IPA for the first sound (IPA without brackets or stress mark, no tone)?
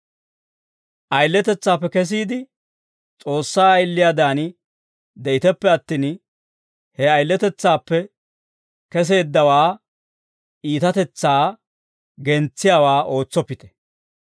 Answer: ʔ